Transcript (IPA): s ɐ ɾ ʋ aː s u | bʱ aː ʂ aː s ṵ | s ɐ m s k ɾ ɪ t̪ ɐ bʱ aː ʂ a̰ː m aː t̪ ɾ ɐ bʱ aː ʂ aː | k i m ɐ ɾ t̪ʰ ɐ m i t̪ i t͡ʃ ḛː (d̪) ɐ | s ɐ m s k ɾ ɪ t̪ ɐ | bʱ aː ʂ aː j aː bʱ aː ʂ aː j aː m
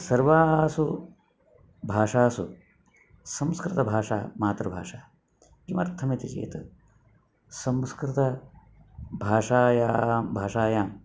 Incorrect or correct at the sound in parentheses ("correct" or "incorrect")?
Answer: incorrect